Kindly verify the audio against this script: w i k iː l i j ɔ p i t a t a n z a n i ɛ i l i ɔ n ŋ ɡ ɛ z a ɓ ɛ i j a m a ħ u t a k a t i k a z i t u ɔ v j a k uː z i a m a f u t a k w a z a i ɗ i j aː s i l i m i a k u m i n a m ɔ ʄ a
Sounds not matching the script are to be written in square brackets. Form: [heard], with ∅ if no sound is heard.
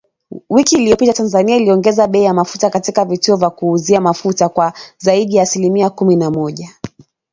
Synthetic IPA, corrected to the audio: w i k iː l i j ɔ p i t a t a n z a n i [a] i l i ɔ [∅] ŋ ɡ ɛ z a ɓ ɛ i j a m a [f] u t a k a t i k a [v] i t u ɔ v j a k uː z i a m a f u t a k w a z a i ɗ i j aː s i l i m i a k u m i n a m ɔ ʄ a